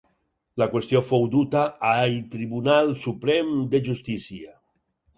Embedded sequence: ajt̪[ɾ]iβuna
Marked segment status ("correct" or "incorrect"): correct